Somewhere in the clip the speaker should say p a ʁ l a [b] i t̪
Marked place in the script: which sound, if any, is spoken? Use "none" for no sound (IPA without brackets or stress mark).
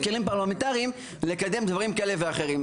m